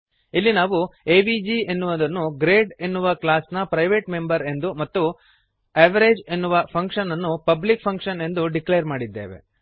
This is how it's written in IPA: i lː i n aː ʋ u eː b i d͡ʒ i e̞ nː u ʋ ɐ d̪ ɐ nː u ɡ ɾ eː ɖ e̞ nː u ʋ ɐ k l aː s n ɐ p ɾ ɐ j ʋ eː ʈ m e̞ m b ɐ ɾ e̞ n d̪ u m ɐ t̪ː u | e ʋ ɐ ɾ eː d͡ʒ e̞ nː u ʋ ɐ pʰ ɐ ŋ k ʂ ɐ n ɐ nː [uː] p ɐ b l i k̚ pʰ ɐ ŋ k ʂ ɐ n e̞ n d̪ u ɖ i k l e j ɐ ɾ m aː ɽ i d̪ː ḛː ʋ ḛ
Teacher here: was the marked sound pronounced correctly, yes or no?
no